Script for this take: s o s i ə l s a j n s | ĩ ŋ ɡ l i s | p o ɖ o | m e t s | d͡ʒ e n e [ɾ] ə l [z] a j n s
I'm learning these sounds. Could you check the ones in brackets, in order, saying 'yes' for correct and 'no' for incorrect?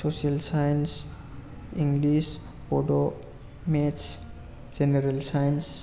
yes, no

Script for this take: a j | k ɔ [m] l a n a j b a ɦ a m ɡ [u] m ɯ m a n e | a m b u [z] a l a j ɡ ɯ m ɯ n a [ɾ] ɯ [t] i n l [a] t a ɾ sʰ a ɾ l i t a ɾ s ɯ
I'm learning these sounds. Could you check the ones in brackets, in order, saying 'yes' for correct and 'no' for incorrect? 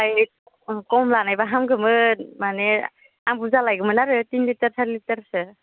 yes, no, yes, yes, yes, no

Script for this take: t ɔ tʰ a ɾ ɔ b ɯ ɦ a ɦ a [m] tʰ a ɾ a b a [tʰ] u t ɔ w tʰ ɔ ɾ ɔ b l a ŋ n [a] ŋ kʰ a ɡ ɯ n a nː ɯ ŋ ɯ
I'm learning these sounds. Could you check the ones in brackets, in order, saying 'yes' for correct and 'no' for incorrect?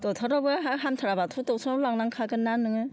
yes, yes, yes

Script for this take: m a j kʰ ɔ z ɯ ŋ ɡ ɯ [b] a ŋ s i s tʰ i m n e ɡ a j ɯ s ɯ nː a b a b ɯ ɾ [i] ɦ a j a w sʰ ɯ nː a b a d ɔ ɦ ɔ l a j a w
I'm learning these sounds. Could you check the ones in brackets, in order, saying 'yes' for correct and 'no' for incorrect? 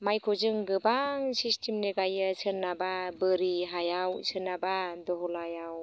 yes, yes

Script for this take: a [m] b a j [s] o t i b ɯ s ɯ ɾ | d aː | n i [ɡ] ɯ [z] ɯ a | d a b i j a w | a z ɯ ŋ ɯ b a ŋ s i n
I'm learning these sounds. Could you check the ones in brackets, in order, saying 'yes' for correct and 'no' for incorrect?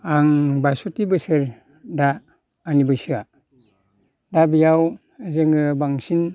no, yes, no, no

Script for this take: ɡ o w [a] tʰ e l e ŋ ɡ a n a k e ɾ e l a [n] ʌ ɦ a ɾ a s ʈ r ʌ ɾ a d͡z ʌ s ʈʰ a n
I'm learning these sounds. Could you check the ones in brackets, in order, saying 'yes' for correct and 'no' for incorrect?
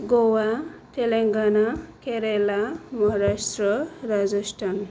yes, no

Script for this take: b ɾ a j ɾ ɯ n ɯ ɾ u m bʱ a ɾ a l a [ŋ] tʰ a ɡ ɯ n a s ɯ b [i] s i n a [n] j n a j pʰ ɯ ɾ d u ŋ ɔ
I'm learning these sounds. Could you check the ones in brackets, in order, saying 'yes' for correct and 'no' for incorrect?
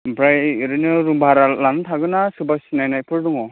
no, no, no

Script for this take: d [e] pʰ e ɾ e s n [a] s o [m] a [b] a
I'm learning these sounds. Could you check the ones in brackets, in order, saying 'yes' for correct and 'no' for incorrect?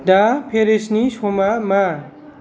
no, no, yes, no

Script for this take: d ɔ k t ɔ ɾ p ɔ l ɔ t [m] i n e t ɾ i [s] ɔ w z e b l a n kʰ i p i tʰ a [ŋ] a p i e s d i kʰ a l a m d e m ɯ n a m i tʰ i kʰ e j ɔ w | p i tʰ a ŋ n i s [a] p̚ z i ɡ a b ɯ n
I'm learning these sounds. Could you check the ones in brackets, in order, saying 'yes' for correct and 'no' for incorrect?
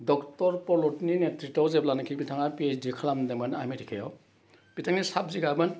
no, no, yes, yes

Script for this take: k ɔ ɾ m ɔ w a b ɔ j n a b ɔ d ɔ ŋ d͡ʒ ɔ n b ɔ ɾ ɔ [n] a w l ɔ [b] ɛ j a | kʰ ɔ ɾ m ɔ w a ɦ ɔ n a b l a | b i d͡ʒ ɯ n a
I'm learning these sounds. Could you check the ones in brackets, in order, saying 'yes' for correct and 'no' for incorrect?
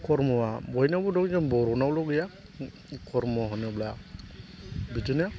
yes, no

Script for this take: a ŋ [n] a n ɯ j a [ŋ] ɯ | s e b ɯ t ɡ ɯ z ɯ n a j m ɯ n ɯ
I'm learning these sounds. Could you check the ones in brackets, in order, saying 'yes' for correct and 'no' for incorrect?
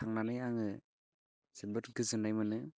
yes, yes

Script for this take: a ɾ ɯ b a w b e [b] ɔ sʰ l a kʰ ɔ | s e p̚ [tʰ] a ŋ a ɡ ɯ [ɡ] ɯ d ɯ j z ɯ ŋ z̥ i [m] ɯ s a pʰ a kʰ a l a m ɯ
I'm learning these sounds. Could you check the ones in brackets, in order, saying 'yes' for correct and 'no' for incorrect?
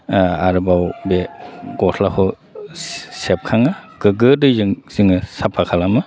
no, no, yes, no

